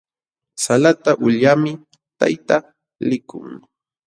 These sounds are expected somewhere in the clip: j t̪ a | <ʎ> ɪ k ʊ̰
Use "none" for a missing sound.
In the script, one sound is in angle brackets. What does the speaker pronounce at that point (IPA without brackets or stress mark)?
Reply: l